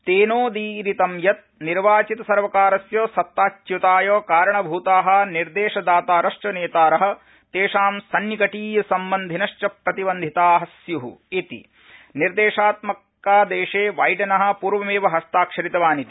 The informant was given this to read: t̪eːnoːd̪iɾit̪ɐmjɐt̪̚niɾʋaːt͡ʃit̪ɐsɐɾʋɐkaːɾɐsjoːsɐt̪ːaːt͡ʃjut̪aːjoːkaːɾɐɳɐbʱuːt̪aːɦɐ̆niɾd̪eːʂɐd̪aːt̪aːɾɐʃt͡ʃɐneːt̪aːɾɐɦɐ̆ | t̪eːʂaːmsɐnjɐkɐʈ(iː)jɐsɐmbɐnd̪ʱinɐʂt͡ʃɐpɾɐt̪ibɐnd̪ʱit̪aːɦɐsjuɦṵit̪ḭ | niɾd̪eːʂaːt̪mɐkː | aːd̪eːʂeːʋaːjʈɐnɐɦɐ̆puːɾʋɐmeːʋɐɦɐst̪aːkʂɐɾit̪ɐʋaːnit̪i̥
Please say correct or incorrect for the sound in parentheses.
correct